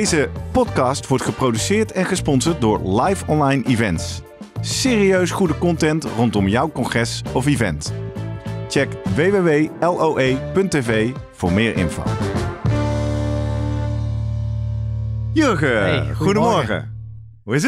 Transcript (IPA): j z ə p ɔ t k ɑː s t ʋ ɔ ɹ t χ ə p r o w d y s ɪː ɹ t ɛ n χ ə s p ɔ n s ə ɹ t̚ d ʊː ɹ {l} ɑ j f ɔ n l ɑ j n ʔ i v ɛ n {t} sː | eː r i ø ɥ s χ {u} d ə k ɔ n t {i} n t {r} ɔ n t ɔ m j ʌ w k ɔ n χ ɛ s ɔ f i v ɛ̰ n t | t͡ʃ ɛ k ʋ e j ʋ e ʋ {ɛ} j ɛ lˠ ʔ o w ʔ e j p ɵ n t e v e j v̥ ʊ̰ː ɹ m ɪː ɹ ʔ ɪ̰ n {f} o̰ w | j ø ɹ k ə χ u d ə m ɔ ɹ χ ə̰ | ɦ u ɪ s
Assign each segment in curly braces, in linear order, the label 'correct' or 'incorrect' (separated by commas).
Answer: correct, correct, correct, incorrect, correct, incorrect, correct